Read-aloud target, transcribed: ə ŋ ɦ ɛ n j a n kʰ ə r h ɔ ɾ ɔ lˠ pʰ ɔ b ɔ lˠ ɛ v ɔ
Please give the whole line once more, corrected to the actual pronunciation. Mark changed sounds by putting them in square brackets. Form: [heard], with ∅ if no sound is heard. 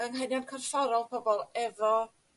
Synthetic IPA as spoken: ə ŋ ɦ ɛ n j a n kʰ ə r [f] ɔ ɾ ɔ lˠ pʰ ɔ b ɔ lˠ ɛ v ɔ